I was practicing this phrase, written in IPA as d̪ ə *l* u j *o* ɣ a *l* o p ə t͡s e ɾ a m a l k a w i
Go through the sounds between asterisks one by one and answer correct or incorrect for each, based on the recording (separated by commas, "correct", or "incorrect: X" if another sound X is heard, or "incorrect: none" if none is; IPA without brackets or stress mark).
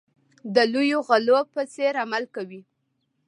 correct, correct, correct